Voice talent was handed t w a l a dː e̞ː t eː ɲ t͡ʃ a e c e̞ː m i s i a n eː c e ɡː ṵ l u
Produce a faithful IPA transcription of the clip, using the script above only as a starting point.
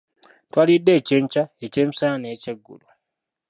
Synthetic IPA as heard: t w a l i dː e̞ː c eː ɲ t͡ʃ a e c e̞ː m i s a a n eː c e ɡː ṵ l u